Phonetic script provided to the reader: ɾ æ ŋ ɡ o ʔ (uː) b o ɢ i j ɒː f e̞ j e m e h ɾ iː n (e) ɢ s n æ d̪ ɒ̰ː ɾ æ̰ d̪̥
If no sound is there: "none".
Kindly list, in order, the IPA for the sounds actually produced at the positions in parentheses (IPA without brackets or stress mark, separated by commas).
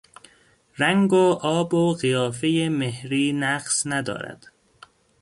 ɒː, æ